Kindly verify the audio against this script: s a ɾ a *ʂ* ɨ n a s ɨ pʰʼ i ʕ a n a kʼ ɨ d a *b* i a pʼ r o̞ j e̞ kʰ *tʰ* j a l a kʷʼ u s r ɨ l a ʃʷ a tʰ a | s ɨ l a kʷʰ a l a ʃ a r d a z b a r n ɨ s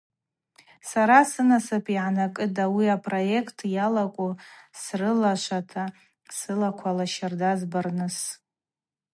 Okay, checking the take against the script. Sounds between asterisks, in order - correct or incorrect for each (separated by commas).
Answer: incorrect, incorrect, correct